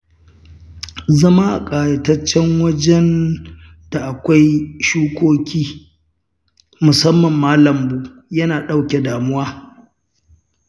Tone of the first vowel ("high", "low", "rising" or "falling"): high